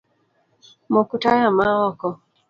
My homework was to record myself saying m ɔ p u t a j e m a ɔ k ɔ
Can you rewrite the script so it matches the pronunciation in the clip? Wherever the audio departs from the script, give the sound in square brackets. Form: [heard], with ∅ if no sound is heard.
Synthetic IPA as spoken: m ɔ [k] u t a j [a] m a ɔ k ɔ